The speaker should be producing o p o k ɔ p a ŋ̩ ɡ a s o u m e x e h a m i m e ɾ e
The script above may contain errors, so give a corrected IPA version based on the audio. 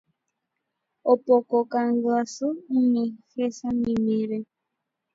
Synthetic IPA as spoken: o p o k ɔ k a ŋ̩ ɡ a s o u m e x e s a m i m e ɾ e

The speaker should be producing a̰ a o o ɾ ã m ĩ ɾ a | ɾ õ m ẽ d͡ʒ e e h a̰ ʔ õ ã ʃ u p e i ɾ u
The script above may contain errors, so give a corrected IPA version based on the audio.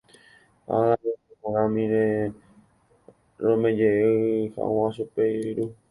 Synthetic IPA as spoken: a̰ a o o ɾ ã m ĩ ɾ e | ɾ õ m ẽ d͡ʒ e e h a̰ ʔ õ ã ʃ u p e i ɾ u

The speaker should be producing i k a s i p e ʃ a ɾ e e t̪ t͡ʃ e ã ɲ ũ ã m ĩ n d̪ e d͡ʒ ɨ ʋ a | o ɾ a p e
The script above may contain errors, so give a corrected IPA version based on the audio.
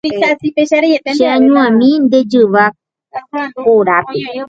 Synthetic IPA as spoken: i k a s i p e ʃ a ɾ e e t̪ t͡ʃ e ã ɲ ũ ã m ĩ n d̪ e d͡ʒ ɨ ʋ a | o ɾ a p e

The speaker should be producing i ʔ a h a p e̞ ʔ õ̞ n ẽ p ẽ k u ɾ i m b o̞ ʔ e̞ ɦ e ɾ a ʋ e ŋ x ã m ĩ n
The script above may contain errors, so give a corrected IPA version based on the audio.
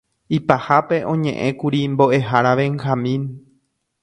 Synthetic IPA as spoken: i p a h a p e̞ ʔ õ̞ ɲ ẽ ʔ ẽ k u ɾ i m b o̞ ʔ e̞ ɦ a ɾ a ʋ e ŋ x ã m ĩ n

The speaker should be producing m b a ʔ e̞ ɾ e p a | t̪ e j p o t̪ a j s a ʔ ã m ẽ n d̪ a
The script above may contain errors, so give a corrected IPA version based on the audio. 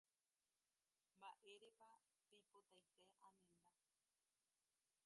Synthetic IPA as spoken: m b a ʔ e̞ ɾ e p a | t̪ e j p o t̪ a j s e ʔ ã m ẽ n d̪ a

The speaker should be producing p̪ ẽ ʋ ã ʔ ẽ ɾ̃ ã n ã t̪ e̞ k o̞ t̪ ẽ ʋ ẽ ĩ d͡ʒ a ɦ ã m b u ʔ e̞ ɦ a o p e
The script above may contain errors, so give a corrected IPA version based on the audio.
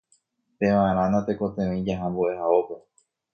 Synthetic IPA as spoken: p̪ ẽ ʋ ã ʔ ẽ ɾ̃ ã n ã t̪ e̞ k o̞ t̪ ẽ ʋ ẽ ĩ d͡ʒ a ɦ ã m b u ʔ e̞ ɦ a o p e

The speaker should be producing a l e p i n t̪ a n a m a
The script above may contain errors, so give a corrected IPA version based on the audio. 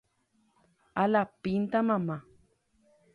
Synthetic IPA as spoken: a l a p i n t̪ a m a m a

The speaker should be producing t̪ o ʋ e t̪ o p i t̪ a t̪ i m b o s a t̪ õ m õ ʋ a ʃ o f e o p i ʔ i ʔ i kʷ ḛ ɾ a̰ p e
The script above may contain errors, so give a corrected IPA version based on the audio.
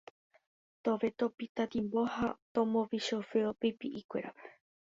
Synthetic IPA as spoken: t̪ o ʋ e t̪ o p i t̪ a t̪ i m b o h a t̪ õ m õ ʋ i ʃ o f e o p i p i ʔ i kʷ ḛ ɾ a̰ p e

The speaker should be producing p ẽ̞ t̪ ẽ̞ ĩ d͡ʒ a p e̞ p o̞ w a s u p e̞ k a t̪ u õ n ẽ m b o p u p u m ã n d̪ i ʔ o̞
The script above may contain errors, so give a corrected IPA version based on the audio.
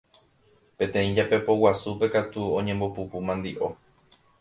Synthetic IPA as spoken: p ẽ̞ t̪ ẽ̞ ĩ d͡ʒ a p e̞ p o̞ w a s u p e̞ k a t̪ u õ ɲ ẽ m b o p u p u m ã n d̪ i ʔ o̞

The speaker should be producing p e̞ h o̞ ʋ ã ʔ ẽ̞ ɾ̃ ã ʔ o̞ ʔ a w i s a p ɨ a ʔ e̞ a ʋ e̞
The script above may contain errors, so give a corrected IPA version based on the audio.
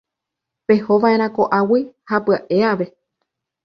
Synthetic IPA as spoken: p e̞ h o̞ ʋ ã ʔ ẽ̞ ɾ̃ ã k o̞ ʔ a w i h a p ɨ a ʔ e̞ a ʋ e̞

